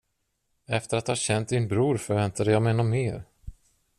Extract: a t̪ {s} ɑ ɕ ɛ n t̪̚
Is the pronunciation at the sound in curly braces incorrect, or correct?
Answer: incorrect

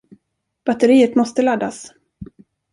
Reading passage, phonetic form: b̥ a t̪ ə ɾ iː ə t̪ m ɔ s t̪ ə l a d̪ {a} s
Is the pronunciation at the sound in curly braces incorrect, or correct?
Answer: correct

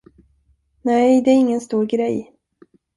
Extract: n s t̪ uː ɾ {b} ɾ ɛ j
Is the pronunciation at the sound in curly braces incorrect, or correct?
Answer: incorrect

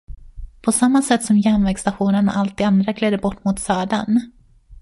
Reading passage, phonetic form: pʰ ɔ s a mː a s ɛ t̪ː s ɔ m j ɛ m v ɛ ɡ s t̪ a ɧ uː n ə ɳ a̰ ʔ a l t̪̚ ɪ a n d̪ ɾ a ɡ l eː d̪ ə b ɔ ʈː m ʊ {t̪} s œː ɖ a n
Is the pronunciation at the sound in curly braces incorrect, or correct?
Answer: correct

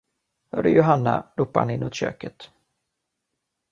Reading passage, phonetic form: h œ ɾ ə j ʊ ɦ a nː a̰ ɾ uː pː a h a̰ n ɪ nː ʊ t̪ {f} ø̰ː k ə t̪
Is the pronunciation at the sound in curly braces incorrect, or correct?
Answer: incorrect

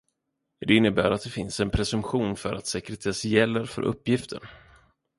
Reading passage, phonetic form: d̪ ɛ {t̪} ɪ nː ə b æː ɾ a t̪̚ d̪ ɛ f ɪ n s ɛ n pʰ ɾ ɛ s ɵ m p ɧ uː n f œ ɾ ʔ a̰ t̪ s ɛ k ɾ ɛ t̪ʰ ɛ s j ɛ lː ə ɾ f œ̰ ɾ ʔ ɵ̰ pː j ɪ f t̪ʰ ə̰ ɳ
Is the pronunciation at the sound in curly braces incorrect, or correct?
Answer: incorrect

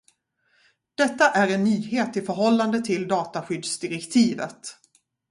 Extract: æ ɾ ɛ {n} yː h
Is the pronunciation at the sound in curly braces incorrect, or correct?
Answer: incorrect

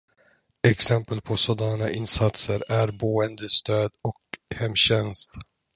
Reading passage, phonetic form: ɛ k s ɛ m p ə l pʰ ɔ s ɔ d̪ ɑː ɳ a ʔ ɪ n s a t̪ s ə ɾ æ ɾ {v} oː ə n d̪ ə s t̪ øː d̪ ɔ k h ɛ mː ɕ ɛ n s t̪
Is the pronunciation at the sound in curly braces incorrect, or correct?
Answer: incorrect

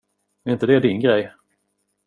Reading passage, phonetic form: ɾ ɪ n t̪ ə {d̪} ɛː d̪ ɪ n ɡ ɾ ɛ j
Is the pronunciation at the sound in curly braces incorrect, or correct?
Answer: correct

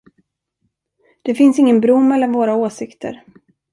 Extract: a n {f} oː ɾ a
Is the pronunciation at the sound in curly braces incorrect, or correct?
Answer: incorrect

